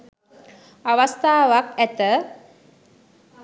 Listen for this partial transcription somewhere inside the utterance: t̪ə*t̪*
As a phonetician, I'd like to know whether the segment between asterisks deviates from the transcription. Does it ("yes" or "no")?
yes